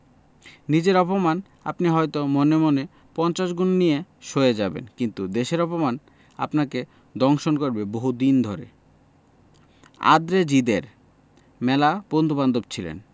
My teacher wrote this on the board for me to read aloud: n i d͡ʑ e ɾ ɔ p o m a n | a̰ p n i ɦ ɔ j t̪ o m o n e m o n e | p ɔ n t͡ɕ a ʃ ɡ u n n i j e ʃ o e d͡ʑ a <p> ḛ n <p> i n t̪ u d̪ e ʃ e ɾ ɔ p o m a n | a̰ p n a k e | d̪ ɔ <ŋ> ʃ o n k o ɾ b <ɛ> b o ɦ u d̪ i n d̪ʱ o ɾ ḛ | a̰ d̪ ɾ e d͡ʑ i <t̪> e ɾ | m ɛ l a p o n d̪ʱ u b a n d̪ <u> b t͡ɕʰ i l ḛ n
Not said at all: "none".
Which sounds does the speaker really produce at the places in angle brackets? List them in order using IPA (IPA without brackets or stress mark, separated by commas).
b, k, ŋ, e, d̪, o